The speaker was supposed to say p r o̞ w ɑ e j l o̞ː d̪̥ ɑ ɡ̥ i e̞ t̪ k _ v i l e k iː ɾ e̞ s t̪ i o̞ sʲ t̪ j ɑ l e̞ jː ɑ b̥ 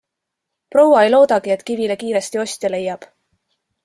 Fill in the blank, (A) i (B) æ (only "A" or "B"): A